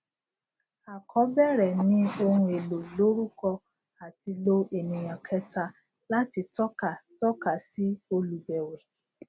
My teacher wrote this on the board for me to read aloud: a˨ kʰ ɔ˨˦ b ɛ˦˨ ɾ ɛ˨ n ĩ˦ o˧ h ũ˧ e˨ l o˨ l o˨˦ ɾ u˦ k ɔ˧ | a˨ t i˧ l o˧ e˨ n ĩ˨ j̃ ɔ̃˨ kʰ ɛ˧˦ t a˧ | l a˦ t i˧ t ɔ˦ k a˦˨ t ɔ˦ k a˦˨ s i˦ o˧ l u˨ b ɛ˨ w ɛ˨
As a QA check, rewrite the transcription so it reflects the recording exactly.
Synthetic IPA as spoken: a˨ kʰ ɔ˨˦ b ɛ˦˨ ɾ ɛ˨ n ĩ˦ o˧ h ũ˧ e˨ l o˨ l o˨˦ ɾ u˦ k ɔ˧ | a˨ t i˧ l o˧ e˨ n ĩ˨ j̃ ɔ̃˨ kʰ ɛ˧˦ t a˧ | l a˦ t i˧ t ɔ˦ k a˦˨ t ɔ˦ k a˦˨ s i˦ o˧ l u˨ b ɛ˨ w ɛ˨